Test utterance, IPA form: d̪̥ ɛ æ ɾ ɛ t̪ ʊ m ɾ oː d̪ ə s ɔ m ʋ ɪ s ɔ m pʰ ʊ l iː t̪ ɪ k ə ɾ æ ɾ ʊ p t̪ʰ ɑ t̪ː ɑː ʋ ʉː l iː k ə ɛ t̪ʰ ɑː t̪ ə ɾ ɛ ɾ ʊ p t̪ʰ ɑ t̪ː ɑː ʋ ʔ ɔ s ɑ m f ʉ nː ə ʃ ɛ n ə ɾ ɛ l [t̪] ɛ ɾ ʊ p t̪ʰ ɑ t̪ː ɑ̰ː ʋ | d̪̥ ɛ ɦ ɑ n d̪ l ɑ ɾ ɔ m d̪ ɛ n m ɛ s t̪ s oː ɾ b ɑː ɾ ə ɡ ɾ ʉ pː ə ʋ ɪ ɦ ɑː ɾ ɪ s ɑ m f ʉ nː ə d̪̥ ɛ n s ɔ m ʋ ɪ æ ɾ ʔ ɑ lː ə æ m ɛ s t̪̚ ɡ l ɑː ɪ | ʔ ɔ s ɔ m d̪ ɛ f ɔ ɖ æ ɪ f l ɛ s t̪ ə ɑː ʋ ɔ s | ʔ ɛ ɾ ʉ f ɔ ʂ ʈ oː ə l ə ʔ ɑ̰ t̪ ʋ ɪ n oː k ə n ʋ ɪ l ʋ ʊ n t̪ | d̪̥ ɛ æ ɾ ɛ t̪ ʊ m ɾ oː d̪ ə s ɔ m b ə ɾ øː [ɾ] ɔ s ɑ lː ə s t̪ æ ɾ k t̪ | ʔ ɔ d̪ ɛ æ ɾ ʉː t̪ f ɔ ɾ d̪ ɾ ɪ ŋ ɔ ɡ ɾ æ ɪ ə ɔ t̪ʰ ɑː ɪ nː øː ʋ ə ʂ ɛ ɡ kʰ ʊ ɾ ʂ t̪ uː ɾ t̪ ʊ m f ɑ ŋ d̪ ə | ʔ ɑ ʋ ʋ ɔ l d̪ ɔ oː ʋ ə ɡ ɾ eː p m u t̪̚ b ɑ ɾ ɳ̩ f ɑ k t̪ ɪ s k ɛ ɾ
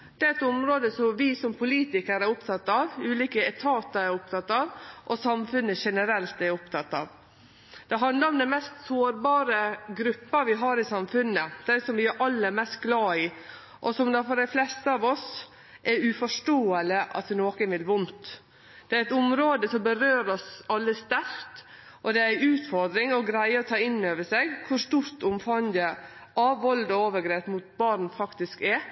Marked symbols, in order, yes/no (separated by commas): yes, yes